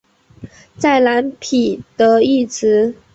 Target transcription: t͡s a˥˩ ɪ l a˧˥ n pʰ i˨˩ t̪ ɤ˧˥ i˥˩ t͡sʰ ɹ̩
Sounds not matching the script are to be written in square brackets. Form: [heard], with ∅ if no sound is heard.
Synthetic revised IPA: t͡s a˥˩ ɪ l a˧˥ n pʰ i˨˩ t̪ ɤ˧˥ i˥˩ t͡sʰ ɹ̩